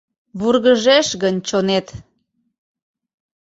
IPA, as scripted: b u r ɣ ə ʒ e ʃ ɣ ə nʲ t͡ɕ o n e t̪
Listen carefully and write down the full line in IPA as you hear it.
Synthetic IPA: β u r ɣ ə ʒ e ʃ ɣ ə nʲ t͡ɕ o n e t̪